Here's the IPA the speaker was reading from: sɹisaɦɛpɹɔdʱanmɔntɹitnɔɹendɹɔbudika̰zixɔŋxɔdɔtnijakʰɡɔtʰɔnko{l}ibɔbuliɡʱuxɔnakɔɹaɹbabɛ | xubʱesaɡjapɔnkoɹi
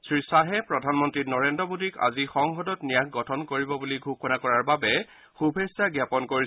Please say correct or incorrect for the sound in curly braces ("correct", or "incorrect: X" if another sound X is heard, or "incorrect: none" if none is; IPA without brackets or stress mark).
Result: incorrect: ɹ